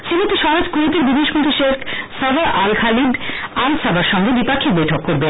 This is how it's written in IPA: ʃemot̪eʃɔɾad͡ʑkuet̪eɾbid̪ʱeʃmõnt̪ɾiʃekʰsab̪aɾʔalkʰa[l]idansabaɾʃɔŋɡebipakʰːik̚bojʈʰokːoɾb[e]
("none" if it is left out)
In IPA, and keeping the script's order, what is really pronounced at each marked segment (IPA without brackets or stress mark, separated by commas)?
l, e